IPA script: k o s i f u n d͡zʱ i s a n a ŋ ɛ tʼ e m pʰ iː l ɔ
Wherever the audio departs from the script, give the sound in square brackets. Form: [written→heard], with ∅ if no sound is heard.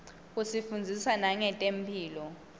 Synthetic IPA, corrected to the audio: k [o→u] s i f u n d͡zʱ i s a n a ŋ ɛ tʼ e m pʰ iː l ɔ